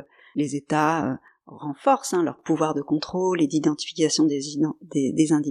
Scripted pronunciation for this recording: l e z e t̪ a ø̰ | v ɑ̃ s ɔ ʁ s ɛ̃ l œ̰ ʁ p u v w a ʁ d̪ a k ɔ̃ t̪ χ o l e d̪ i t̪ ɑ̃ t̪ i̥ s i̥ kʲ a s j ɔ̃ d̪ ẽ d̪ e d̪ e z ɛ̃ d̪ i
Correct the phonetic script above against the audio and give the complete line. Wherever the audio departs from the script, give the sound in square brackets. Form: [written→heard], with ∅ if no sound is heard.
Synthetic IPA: l e z e t̪ a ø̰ | [v→ʁ] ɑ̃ [s→f] ɔ ʁ s ɛ̃ l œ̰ ʁ p u v w a ʁ d̪ [a→ə] k ɔ̃ t̪ χ o l e d̪ i [t̪→d̪] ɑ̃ t̪ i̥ [s→f] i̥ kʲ a s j ɔ̃ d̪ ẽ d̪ e d̪ e z ɛ̃ d̪ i